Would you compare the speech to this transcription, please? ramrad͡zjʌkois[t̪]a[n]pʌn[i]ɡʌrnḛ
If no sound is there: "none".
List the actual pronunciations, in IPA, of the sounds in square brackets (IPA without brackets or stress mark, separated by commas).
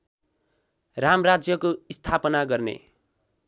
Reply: t̪ʰ, none, a